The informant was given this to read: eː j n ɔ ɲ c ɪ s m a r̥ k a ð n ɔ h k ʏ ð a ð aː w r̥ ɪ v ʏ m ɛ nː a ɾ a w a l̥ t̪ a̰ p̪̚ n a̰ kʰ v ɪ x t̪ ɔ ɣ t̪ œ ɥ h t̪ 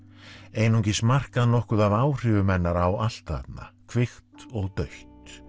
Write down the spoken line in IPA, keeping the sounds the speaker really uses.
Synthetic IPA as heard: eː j n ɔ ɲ c ɪ s m a r̥ k a ð n ɔ h k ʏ ð a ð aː w r̥ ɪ v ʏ m ɛ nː a ɾ a w a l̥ t̪ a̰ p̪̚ n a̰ kʰ v ɪ x t̪ ɔ ɣ t̪ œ ɥ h t̪